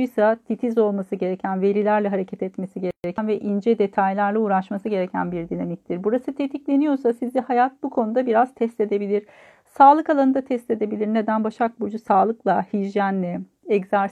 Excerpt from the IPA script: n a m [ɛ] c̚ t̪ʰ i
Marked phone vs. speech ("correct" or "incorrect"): incorrect